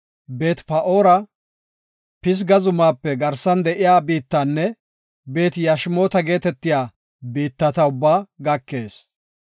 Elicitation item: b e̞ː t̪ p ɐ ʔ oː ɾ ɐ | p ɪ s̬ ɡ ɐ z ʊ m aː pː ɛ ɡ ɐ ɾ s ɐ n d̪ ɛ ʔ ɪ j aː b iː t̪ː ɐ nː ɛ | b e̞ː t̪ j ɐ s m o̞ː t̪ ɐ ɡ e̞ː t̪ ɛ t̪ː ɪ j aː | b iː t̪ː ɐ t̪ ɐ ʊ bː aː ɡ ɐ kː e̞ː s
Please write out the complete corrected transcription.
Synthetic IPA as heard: b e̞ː t̪ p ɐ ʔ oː ɾ ɐ | p ɪ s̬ ɡ ɐ z ʊ m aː pː ɛ ɡ ɐ ɾ s ɐ n d̪ ɛ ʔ ɪ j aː b iː t̪ː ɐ nː ɛ | b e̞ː t̪ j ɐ ʃ m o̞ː t̪ ɐ ɡ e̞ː t̪ ɛ t̪ː ɪ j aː | b iː t̪ː ɐ t̪ ɐ ʊ bː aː ɡ ɐ kː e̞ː s